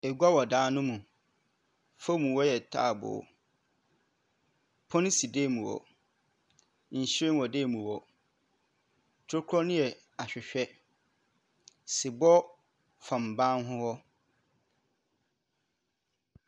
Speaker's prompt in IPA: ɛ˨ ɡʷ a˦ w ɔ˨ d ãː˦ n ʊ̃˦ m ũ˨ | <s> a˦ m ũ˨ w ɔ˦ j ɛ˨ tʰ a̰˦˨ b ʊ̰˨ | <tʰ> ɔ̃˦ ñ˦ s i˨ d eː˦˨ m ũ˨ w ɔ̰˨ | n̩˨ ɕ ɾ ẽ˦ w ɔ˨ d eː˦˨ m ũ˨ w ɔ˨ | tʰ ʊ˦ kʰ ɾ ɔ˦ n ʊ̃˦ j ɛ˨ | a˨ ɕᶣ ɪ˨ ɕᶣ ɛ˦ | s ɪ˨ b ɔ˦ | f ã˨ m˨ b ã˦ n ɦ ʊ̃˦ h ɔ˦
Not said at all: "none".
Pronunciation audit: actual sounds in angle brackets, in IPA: f, pʰ

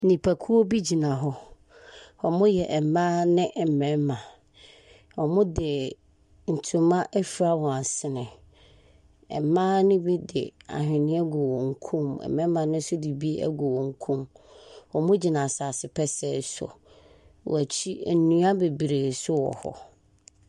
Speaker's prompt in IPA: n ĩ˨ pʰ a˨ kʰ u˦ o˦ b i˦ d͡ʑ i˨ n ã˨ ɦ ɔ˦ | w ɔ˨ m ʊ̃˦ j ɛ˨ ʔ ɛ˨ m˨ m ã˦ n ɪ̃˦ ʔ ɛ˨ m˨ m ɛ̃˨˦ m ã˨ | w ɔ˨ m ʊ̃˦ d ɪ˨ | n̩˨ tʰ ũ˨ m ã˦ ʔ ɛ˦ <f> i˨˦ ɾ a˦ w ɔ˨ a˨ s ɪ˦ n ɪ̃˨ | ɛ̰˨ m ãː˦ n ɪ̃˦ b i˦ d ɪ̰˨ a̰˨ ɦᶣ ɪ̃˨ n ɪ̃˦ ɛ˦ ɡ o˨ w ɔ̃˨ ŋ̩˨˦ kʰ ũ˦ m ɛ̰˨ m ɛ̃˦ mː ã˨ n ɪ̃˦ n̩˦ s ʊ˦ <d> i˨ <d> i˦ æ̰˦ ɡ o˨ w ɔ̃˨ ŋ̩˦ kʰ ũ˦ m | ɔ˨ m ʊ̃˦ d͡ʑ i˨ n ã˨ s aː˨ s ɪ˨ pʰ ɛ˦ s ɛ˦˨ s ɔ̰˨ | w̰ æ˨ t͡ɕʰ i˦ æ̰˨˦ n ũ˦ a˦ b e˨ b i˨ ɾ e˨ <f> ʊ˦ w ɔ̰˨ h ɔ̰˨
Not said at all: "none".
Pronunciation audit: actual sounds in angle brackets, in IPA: f, d, b, s

